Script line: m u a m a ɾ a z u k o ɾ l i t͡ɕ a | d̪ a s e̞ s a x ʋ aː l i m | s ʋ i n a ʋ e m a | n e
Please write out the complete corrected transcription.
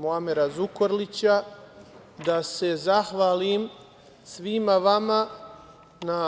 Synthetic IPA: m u a m e ɾ a z u k o ɾ l i t͡ɕ a | d̪ a s e̞ z a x ʋ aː l i m | s ʋ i m a ʋ a m a | n a